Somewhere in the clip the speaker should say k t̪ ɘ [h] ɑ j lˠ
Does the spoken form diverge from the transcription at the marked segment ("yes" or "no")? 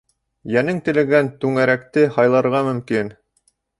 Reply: no